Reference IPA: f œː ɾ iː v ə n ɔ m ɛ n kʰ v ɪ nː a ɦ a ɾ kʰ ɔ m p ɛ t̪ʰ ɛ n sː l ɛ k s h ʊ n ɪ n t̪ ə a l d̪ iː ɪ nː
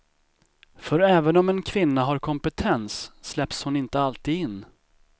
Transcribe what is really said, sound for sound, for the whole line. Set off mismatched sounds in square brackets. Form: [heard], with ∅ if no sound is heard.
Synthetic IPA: f [œ] ɾ [ɛː] v ə n ɔ m ɛ n kʰ v ɪ nː a ɦ a ɾ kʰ ɔ m p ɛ t̪ʰ ɛ n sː l ɛ [p] s h ʊ n ɪ n t̪ ə a l [t̪] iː ɪ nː